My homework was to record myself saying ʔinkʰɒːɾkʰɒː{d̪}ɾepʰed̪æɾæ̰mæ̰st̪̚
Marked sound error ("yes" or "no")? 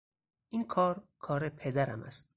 yes